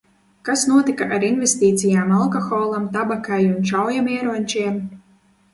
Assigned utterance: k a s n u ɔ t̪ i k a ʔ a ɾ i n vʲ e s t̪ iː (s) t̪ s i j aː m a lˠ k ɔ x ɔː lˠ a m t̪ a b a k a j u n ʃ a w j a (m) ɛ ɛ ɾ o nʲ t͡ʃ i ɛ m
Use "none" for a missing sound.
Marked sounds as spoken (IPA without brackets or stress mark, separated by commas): none, m